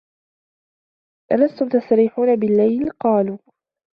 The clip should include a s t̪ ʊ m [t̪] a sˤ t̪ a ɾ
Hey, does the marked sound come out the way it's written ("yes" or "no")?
yes